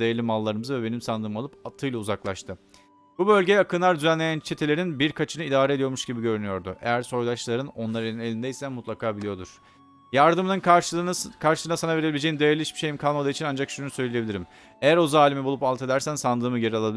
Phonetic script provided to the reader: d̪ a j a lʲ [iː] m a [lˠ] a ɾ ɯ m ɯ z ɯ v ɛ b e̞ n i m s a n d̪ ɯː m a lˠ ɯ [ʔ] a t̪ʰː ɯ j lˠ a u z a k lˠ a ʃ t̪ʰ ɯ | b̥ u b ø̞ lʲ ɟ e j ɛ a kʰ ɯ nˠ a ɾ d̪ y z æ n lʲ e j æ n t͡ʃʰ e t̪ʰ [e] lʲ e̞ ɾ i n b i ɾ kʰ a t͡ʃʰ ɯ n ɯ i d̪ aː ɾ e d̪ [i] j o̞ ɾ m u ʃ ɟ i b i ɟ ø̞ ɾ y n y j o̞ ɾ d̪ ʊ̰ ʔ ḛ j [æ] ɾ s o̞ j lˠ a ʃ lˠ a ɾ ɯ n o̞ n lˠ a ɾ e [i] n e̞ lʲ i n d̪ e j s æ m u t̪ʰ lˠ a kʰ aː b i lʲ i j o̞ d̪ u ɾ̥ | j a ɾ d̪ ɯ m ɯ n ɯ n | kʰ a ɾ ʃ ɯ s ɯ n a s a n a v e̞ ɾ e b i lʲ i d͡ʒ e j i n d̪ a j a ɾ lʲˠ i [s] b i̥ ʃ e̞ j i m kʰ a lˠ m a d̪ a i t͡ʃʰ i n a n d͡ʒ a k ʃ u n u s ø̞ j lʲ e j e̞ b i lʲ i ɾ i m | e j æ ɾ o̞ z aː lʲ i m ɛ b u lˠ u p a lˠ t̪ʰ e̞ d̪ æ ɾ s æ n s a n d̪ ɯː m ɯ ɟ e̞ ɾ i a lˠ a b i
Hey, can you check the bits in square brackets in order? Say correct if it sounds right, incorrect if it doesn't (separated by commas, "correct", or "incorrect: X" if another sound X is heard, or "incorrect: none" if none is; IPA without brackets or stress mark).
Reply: incorrect: i, incorrect: lˠː, incorrect: p, correct, correct, correct, correct, incorrect: ʃ